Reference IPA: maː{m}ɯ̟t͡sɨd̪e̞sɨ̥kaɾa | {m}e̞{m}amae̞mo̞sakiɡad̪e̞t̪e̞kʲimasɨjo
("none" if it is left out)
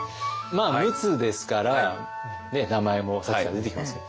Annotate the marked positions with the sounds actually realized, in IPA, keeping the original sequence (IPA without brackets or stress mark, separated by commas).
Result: m, n, n